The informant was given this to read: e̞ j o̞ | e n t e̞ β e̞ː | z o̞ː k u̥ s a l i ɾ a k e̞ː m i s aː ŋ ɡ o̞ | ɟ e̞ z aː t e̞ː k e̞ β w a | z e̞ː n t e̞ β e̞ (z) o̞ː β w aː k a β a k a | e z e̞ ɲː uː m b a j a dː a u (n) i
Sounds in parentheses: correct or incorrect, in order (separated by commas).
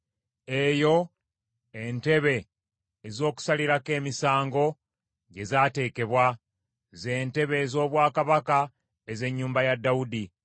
correct, incorrect